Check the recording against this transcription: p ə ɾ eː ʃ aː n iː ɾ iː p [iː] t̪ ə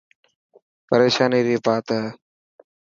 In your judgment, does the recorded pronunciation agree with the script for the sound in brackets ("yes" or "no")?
no